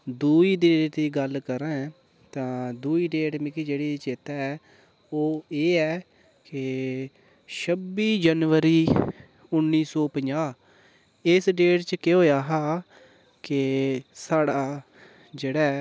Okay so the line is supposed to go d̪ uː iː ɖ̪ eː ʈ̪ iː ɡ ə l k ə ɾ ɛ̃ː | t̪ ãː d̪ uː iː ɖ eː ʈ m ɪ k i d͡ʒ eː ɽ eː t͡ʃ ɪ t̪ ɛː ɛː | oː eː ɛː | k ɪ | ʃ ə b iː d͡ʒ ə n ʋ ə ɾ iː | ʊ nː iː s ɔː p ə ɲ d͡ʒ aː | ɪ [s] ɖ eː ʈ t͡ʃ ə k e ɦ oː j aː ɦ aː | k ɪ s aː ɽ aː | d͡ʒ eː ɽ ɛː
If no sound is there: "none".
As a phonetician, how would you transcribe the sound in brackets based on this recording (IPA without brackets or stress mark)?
s